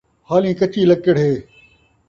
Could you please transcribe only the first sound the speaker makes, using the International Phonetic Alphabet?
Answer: h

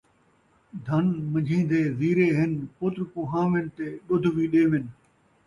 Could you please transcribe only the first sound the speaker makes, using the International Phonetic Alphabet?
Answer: d̪ʱ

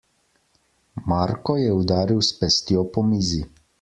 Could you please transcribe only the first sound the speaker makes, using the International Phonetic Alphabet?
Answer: m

